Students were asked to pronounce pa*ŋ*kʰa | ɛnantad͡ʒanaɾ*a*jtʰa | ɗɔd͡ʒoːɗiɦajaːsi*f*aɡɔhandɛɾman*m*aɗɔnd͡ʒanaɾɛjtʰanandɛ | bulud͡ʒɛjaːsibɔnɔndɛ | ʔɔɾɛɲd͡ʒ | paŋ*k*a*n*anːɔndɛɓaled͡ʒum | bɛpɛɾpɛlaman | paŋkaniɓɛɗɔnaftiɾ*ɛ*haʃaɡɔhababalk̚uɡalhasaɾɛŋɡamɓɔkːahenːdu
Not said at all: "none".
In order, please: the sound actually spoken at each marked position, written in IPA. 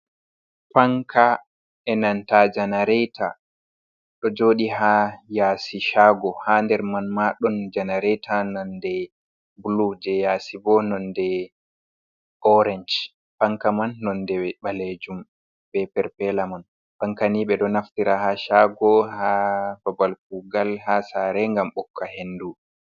ŋ, ɛ, ʃ, m, k, m, a

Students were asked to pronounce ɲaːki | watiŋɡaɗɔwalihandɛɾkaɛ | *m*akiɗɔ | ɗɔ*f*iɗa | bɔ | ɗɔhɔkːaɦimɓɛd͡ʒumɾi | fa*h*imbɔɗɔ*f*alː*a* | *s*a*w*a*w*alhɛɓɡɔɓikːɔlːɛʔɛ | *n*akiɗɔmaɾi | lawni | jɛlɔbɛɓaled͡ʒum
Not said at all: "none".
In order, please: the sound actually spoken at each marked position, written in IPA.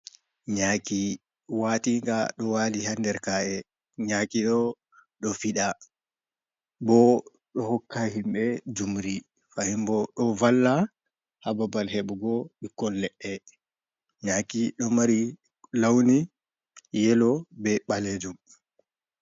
ɲ, f, h, v, a, h, b, b, ɲ

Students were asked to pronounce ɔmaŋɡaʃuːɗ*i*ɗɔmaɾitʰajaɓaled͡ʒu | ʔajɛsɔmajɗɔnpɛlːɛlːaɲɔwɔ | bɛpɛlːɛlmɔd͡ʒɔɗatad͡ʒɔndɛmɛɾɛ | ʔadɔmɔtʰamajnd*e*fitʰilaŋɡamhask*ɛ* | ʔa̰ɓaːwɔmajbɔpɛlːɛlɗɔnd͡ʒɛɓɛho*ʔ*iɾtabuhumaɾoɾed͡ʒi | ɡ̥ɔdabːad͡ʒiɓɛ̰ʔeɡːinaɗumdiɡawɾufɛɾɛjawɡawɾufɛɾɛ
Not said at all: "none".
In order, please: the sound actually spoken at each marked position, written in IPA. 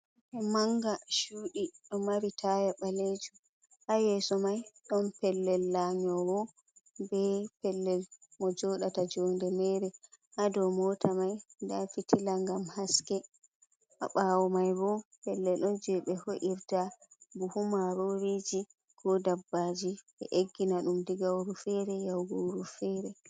i, a, ɛ, ʔ

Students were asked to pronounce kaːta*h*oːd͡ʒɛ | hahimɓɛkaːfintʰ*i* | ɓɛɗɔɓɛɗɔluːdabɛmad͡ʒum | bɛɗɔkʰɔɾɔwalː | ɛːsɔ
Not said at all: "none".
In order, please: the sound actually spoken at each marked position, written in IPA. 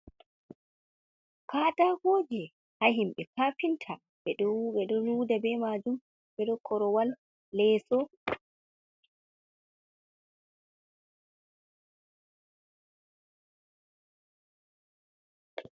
h, a

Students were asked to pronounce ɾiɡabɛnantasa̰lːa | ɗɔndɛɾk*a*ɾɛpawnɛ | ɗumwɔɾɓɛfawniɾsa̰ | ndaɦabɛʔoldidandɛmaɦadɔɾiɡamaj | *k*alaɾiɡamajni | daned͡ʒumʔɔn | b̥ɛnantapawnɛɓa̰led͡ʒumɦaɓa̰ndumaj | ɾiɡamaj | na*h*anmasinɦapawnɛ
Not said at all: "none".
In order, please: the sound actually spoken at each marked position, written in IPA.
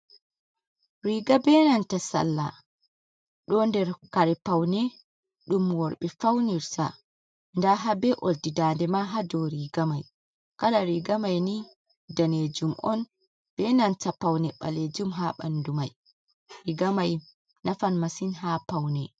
a, k, f

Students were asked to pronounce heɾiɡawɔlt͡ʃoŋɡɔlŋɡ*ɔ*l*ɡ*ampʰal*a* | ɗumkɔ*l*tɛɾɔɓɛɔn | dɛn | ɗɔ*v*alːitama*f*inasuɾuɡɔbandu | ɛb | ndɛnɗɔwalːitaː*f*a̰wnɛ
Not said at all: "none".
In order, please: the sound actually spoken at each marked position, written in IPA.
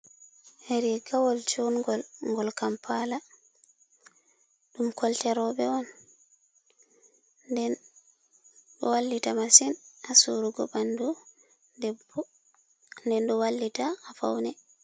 ɔ, k, a, l, w, s, f

